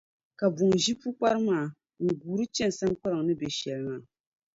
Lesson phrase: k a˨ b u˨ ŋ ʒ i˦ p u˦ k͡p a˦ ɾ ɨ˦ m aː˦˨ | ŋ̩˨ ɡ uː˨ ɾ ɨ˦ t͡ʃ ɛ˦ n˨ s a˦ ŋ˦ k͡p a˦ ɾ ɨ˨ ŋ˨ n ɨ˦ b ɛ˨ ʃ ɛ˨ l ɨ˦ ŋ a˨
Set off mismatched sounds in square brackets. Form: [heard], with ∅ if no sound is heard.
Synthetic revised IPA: k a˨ b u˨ ŋ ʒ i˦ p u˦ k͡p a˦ ɾ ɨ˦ m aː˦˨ | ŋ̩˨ ɡ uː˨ ɾ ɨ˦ t͡ʃ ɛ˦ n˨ s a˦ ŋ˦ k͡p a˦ ɾ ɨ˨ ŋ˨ n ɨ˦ b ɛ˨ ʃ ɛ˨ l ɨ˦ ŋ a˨